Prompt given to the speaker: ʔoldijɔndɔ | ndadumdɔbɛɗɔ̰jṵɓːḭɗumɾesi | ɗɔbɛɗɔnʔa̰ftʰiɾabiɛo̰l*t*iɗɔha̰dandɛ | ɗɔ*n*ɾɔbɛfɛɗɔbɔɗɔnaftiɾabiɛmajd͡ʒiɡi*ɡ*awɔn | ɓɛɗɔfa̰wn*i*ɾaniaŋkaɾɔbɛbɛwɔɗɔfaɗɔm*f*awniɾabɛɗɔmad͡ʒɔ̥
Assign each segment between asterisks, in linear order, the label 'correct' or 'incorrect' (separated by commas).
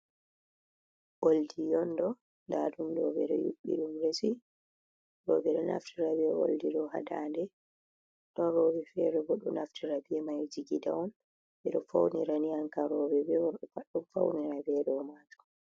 incorrect, correct, incorrect, correct, correct